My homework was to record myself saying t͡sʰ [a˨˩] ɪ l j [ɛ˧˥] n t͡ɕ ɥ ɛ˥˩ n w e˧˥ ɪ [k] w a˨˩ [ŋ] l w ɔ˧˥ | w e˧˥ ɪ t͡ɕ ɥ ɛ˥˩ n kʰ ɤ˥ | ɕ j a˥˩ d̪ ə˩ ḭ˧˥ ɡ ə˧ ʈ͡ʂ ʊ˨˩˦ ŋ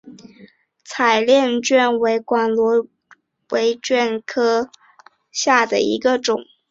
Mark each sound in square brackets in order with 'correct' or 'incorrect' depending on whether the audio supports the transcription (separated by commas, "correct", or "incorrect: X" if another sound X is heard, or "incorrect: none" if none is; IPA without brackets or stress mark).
correct, incorrect: ɛ˥˧, correct, incorrect: n